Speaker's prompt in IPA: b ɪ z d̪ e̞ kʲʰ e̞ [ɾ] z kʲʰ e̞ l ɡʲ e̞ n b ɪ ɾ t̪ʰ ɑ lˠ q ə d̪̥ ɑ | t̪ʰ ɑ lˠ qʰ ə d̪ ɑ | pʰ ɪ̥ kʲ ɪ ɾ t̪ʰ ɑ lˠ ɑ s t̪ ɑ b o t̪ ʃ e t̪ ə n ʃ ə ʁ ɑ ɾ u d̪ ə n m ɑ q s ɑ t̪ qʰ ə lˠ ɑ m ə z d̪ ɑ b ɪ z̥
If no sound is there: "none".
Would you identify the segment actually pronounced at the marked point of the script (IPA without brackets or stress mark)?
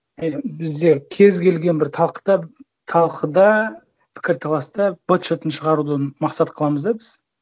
none